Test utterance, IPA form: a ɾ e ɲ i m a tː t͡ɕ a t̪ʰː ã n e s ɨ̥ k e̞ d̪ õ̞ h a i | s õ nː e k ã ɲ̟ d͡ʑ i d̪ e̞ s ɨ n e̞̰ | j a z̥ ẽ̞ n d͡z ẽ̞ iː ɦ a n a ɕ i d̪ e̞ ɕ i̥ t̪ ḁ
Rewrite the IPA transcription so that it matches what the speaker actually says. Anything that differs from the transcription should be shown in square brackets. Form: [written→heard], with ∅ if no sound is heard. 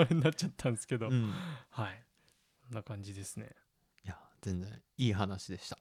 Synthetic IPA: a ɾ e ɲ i [m→n] a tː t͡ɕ a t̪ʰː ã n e s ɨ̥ k e̞ d̪ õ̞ h a i | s õ nː [e→a] k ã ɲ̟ d͡ʑ i d̪ e̞ s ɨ n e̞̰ | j a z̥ ẽ̞ n d͡z ẽ̞ iː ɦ a n a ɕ i d̪ e̞ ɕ i̥ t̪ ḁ